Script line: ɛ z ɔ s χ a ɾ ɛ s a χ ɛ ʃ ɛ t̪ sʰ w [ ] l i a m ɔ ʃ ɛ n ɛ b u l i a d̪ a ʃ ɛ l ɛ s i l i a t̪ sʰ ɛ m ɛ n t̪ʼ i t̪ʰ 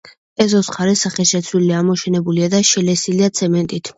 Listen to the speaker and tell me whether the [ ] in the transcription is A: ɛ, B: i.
B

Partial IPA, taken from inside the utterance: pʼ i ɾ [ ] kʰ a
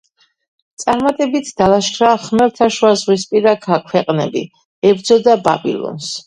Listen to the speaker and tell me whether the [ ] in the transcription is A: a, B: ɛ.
A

